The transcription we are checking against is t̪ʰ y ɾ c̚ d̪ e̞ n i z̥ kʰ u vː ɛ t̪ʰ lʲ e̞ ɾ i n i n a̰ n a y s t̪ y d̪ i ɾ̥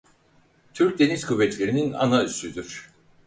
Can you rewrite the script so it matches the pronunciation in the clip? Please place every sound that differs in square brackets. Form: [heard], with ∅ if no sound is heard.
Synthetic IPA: t̪ʰ y ɾ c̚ d̪ e̞ n i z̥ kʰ u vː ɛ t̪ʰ lʲ e̞ ɾ i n i n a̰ n a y s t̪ y d̪ [y] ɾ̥